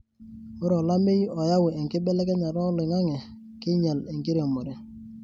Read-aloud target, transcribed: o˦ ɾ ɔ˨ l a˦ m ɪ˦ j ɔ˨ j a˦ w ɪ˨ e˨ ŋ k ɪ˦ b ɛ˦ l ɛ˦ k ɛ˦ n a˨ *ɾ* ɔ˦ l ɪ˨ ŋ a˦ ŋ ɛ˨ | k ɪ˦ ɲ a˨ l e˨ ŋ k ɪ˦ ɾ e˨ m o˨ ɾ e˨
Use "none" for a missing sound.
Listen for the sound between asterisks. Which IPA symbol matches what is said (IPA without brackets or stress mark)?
ɾ